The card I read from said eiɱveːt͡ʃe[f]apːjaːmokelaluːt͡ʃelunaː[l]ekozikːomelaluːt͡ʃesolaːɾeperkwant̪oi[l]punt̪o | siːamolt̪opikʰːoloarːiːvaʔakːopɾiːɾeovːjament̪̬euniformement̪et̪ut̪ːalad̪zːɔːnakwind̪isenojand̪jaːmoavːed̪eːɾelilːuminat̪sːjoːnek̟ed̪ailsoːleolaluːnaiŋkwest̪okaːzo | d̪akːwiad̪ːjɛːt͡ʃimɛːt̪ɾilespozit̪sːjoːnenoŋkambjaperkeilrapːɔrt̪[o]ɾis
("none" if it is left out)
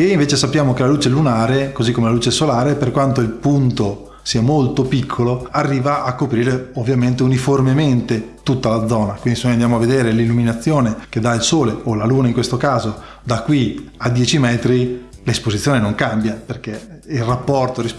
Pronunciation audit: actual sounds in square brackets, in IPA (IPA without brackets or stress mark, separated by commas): s, ɾ, l, o